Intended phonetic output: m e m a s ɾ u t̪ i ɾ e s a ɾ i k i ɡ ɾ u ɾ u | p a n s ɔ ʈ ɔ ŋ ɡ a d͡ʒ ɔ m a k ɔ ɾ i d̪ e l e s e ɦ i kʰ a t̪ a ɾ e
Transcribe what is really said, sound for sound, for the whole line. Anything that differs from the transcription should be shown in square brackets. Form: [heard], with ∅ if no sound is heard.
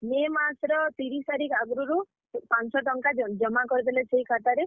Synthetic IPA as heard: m e m a s ɾ [ɔ] t̪ i ɾ [i] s a ɾ i k [a] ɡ ɾ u ɾ u | p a n s ɔ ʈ ɔ ŋ [k] a d͡ʒ ɔ m a k ɔ ɾ i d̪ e l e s e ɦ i kʰ a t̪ a ɾ e